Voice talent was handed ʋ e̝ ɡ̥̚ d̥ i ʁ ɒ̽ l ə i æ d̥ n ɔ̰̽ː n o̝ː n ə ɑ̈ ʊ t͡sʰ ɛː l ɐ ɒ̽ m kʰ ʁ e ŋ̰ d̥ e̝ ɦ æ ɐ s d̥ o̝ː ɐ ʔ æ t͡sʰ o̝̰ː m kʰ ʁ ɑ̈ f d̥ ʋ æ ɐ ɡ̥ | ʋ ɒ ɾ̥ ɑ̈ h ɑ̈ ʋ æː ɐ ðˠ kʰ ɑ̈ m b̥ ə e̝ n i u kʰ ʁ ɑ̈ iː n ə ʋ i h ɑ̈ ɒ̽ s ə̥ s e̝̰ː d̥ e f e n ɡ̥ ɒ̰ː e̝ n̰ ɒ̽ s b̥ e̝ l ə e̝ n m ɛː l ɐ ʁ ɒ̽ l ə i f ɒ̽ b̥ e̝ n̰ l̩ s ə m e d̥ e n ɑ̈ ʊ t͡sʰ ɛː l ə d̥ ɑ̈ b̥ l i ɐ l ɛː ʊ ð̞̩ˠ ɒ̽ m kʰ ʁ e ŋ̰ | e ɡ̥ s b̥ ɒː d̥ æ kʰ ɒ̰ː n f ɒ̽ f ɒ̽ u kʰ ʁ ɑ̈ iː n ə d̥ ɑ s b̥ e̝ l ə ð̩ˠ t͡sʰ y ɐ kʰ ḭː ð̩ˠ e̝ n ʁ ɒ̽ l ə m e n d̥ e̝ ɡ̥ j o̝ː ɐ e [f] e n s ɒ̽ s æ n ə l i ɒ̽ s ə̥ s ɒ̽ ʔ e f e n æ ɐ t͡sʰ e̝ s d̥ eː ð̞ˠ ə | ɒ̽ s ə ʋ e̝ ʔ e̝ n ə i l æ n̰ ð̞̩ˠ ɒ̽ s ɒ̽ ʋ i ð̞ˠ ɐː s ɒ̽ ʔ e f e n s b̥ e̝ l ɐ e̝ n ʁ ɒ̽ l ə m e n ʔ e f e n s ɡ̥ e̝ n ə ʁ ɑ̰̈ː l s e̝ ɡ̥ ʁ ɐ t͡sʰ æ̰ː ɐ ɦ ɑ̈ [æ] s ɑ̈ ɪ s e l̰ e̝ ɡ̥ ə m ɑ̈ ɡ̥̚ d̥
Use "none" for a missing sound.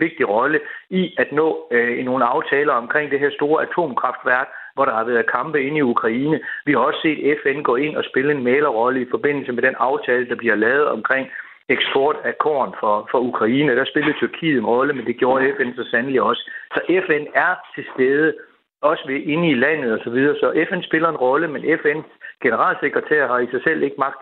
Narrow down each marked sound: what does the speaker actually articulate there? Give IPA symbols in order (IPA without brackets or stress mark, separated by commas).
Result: f, i